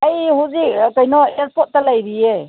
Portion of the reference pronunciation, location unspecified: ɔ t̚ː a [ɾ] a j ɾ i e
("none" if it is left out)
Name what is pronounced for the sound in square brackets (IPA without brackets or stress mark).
l